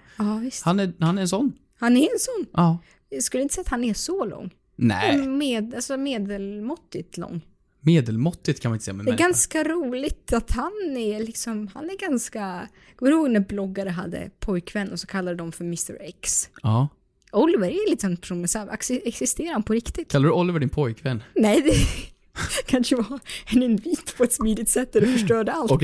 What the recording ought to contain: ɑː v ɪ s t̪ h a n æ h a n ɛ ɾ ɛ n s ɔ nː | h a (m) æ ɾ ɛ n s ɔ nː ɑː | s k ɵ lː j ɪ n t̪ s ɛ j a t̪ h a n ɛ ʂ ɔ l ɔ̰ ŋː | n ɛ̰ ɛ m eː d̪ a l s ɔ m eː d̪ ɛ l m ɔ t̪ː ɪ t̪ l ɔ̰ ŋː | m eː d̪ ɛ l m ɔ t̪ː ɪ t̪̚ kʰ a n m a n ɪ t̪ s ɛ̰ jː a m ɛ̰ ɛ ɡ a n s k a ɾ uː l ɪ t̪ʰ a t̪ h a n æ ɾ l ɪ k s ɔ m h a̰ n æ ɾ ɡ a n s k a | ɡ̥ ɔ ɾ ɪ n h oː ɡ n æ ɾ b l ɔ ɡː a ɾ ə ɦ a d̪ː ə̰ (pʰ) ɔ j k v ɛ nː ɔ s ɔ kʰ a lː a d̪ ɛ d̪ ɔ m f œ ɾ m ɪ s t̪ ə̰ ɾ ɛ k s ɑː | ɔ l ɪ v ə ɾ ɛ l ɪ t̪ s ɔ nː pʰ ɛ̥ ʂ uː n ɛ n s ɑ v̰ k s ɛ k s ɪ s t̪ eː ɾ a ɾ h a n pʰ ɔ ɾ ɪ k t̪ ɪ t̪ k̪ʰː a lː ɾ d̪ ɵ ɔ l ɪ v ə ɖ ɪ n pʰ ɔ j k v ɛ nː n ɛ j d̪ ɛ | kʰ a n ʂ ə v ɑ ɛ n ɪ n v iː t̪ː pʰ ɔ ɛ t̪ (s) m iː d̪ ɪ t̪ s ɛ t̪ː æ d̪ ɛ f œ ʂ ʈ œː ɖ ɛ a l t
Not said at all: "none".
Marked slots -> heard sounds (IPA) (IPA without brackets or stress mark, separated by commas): n, pʰ, s